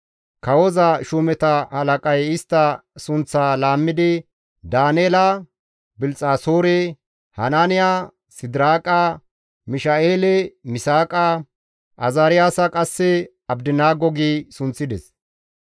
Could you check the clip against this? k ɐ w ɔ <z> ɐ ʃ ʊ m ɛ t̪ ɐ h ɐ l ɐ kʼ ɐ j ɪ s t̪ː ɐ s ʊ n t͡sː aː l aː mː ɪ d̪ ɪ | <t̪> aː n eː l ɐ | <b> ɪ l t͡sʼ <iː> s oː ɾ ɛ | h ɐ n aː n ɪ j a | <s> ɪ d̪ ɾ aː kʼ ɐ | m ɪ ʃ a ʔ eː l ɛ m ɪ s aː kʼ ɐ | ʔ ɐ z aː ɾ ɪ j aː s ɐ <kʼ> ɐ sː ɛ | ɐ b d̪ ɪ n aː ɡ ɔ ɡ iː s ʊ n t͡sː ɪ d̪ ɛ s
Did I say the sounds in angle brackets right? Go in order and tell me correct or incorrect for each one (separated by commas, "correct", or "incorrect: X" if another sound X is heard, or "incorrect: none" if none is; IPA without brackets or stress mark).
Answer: correct, incorrect: d̪, correct, incorrect: aː, correct, correct